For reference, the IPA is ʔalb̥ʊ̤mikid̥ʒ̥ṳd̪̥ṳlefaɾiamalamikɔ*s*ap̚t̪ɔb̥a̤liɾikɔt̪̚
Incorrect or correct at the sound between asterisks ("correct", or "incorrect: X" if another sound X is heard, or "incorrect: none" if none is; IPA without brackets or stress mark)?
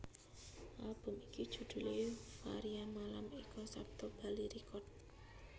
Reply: correct